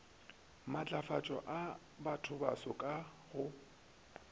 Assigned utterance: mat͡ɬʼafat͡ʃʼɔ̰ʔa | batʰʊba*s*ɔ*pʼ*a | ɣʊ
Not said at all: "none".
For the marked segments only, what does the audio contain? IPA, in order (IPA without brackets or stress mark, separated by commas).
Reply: s, kʼ